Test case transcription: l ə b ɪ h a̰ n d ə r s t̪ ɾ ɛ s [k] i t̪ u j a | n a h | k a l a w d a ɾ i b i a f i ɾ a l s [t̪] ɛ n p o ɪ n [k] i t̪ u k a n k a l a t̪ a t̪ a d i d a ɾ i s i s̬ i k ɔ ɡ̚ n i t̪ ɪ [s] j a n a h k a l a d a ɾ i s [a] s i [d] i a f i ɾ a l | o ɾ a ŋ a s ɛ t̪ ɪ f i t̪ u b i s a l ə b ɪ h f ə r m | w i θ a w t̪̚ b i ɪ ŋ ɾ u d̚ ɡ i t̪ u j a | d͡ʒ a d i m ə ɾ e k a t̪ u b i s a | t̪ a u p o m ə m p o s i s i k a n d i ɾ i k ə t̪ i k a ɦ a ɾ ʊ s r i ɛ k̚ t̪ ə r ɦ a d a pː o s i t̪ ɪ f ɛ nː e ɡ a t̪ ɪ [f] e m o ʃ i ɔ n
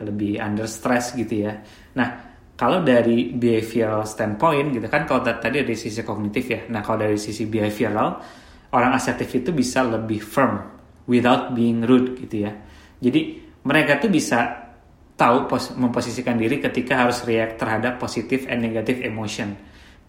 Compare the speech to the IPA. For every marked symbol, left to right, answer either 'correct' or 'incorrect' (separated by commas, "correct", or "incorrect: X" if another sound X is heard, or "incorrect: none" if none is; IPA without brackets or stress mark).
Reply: incorrect: ɡ, correct, incorrect: ɡ, incorrect: f, incorrect: i, incorrect: b, correct